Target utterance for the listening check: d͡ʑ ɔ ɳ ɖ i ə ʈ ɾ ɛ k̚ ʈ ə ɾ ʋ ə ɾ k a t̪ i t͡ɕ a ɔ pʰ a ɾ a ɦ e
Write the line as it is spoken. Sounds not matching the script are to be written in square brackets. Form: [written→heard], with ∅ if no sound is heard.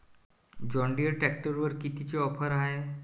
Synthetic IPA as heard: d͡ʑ ɔ ɳ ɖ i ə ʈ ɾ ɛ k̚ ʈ ə ɾ ʋ ə ɾ k [a→i] t̪ i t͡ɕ [a→e] ɔ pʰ [a→ə] ɾ a ɦ e